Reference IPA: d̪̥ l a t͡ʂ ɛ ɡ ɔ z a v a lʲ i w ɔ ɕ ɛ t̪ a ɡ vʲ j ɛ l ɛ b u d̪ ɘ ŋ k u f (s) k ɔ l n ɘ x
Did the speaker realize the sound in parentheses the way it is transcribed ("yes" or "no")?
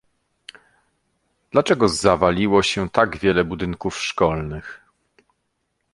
no